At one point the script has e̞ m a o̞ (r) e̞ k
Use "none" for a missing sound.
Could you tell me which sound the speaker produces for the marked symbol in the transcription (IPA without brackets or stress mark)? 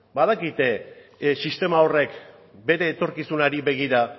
r